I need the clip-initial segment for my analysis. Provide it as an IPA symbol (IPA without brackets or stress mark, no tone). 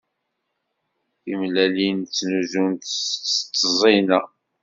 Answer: i